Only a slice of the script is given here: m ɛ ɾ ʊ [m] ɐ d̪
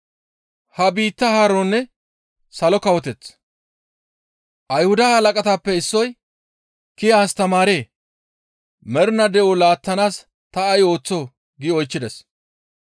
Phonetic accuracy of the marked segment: incorrect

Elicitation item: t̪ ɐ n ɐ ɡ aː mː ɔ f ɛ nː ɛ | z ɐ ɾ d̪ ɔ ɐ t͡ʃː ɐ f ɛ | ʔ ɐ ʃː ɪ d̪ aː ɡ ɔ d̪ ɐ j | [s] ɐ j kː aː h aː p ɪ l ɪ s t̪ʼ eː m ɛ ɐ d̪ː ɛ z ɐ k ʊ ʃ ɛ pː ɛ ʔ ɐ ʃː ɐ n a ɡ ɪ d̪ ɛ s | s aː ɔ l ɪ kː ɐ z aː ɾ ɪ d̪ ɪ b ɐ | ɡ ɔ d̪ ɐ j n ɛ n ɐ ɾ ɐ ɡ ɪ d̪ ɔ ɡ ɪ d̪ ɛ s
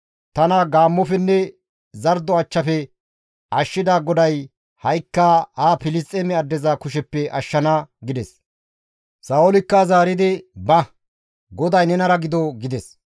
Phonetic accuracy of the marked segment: incorrect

